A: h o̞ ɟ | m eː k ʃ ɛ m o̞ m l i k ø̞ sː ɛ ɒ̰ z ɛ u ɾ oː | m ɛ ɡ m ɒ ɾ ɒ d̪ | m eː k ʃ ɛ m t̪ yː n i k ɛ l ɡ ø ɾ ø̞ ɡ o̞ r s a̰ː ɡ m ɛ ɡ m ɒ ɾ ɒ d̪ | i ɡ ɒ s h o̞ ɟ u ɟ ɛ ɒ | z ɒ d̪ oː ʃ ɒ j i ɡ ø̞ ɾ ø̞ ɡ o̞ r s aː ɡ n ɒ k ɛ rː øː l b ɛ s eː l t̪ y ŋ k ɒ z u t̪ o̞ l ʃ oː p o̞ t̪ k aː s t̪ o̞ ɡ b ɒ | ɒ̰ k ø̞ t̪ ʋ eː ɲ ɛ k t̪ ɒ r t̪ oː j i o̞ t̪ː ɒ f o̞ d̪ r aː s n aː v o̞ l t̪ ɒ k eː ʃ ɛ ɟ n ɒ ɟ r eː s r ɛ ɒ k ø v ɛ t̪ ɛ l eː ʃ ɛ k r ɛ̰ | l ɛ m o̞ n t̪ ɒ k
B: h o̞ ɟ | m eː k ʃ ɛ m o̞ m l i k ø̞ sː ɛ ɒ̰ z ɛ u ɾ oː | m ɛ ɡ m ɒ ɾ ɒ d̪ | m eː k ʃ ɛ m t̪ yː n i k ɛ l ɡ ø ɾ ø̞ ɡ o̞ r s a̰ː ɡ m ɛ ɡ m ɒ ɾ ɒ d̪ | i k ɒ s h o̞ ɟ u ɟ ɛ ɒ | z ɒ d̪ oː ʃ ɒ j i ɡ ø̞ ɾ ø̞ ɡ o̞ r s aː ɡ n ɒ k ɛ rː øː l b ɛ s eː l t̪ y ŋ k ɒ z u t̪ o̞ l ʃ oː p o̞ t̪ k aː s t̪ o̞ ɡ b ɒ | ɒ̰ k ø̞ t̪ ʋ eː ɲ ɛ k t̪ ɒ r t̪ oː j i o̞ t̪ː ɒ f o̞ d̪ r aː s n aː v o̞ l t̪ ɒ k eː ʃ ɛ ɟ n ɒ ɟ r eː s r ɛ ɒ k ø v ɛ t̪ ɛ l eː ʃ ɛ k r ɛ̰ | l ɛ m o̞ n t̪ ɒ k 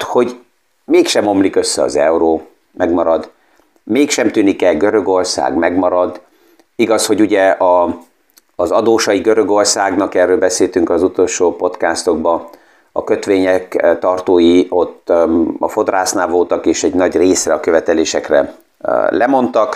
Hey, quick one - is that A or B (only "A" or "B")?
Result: A